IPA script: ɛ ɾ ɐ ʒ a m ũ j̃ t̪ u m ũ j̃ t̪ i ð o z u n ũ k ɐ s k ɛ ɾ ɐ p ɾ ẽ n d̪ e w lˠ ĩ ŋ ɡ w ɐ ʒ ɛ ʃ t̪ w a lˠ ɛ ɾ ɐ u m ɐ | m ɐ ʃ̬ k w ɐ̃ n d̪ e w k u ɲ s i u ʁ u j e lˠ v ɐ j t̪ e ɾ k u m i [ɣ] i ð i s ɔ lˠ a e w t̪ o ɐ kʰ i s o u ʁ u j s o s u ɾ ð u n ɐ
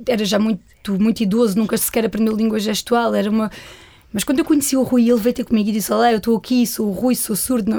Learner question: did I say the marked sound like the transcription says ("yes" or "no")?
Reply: yes